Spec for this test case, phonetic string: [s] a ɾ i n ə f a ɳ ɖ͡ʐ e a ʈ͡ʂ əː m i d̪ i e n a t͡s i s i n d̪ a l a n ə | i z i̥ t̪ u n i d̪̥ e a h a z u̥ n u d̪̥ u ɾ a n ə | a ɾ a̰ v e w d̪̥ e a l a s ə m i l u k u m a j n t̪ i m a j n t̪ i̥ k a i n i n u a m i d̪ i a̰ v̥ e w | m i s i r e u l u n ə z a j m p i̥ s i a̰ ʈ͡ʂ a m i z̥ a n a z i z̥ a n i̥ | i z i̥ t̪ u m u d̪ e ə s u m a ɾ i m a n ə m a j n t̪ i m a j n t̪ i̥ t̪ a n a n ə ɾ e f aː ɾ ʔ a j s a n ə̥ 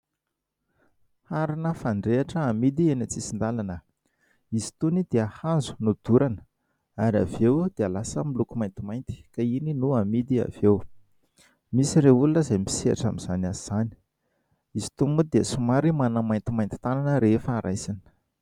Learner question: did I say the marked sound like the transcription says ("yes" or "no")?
no